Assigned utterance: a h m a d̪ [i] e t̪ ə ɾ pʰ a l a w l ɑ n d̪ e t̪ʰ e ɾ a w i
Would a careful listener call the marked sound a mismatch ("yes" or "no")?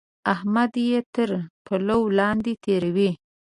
yes